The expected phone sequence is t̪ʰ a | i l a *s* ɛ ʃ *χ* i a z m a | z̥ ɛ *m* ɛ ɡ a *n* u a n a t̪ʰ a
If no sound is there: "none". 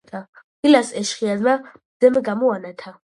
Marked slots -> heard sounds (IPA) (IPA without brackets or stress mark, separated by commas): s, χ, m, m